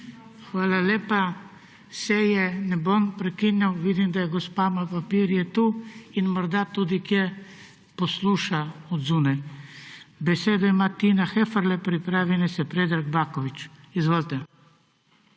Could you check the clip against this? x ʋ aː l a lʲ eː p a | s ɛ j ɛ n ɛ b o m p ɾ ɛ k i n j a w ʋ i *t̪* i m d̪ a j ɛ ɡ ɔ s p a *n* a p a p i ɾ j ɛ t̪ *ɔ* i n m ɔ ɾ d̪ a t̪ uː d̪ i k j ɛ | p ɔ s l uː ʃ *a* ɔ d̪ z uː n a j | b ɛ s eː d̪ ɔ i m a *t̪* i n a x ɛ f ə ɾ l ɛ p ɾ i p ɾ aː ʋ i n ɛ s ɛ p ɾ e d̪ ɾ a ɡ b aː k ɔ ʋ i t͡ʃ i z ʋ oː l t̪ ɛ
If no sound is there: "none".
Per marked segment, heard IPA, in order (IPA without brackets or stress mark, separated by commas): d̪, m, u, a, t̪